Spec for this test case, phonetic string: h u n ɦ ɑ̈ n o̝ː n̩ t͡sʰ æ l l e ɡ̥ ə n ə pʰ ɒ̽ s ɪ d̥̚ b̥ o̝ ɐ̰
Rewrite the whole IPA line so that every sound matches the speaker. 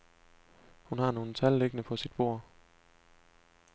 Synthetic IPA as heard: h u n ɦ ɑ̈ n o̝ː n̩ t͡sʰ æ l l e ɡ̥ ə n ə pʰ ɒ̽ s i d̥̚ b̥ o̝ ɐ̰